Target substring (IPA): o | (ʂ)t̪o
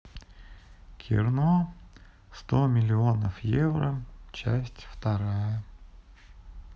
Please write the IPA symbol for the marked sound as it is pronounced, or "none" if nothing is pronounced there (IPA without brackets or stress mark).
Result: s